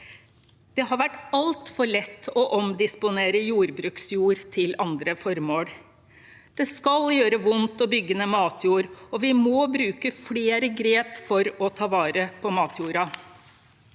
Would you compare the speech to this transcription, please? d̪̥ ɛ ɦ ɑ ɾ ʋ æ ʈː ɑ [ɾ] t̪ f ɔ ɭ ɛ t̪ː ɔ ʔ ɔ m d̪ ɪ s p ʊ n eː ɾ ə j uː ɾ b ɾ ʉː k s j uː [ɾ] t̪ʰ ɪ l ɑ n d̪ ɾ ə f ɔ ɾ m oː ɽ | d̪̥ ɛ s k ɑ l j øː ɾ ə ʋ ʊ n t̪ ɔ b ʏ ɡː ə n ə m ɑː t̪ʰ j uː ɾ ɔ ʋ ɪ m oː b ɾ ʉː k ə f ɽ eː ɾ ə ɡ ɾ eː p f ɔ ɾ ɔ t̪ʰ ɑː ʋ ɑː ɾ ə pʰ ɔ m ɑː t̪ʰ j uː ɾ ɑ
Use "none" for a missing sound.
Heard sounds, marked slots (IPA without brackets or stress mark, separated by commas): l, ɾ